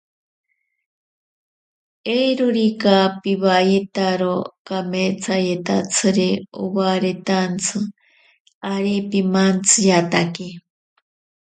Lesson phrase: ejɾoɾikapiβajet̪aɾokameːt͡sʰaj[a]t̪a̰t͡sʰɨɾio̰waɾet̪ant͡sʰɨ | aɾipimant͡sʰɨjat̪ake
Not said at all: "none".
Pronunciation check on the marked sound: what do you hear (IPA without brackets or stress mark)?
e